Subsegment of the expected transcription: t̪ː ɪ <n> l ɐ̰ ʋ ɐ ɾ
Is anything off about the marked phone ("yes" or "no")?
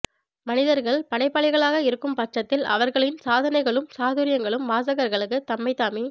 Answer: yes